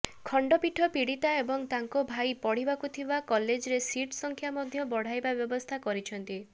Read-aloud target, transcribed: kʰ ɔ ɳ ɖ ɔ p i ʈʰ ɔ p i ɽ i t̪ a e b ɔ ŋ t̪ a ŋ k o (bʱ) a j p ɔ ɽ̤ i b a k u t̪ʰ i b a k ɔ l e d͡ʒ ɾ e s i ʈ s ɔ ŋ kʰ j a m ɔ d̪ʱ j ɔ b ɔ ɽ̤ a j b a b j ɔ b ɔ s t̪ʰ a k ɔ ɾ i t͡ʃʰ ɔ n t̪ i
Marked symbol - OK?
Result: yes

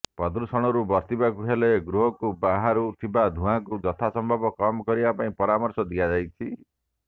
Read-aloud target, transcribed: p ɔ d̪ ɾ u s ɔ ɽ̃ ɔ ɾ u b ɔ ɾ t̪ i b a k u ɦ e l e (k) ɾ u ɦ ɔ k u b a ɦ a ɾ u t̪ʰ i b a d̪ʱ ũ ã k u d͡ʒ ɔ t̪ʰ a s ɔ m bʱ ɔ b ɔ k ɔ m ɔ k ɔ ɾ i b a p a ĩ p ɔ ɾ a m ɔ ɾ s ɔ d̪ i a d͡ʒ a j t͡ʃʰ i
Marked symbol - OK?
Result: no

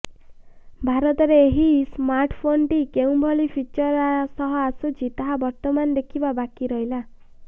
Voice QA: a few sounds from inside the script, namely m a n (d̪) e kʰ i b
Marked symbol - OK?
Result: yes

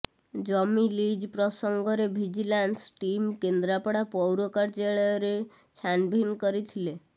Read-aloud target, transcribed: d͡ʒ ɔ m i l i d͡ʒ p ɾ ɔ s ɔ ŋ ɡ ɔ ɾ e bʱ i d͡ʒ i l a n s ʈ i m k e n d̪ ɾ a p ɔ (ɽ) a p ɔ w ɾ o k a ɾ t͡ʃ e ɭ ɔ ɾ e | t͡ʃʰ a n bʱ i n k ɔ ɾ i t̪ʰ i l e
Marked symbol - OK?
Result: yes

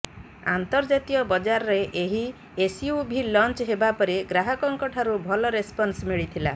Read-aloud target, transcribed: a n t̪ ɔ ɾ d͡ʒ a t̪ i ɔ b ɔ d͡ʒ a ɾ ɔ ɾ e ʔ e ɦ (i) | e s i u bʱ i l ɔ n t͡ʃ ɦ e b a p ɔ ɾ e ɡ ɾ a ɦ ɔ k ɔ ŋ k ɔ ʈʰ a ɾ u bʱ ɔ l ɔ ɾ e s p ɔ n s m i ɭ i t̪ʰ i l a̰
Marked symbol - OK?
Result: yes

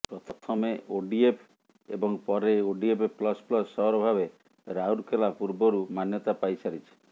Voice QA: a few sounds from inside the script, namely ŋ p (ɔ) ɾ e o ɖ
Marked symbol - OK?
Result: yes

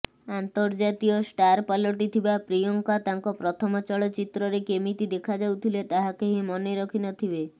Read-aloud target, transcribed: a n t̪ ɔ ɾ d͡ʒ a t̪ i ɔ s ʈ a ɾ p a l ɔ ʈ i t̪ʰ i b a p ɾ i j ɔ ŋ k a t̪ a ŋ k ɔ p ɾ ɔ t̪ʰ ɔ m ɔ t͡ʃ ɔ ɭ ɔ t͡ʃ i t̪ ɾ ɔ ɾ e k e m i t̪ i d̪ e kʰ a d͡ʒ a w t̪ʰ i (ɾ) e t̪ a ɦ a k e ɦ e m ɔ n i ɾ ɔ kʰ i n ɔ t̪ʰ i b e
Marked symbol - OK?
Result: no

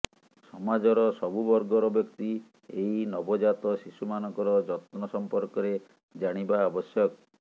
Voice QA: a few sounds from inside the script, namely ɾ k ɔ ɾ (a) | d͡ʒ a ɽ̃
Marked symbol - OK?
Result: no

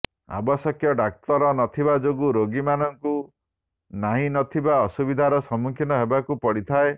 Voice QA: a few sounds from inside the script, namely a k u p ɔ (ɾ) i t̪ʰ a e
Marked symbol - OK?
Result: no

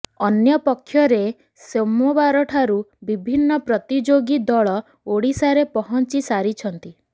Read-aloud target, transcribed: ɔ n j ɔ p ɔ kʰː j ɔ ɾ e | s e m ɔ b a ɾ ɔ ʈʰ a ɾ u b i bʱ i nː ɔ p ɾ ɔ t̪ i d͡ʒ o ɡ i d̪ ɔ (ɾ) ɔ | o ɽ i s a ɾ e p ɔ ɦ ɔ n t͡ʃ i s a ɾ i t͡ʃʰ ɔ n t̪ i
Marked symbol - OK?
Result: no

